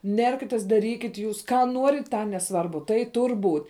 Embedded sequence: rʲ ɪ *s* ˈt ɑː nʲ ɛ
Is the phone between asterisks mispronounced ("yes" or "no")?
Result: yes